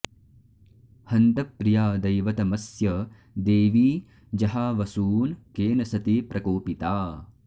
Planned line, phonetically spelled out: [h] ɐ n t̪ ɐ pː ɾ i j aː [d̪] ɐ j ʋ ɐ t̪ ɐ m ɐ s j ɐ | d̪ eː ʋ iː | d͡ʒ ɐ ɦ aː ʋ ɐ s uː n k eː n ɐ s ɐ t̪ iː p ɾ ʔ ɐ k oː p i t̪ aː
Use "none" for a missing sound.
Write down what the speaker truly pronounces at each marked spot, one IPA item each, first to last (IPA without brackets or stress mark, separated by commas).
h, d̪